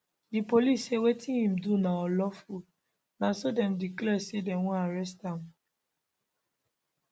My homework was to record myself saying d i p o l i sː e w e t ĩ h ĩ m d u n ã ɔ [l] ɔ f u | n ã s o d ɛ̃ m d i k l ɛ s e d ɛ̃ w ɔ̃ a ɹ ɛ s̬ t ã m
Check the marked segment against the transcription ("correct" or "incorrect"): correct